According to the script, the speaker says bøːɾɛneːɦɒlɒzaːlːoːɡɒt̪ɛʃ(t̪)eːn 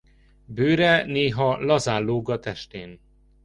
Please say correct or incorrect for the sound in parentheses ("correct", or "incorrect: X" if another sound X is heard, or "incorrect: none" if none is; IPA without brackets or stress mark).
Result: correct